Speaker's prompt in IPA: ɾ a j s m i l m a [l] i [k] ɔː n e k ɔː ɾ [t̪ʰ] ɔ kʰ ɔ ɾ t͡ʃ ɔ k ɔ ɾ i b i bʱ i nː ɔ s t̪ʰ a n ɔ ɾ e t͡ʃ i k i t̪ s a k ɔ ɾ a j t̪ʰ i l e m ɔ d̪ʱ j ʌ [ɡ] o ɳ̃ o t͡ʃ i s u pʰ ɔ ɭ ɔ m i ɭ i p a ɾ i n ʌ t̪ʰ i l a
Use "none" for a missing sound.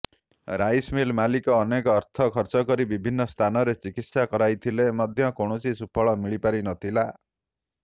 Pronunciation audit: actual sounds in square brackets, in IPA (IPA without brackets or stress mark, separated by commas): l, k, t̪ʰ, k